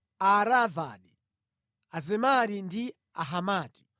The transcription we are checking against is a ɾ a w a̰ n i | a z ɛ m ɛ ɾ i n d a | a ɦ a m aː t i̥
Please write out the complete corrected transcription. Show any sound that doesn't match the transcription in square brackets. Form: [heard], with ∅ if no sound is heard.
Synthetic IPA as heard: a ɾ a [v] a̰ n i | a z ɛ m [a] ɾ i n d [i] | a ɦ a m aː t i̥